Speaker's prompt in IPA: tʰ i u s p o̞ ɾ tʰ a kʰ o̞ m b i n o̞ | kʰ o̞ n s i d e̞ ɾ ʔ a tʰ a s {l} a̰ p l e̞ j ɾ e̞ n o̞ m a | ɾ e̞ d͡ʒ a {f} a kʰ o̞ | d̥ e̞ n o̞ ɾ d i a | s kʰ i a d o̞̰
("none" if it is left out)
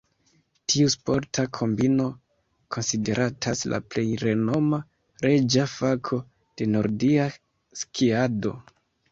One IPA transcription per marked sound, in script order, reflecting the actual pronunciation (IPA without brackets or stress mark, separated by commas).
l, f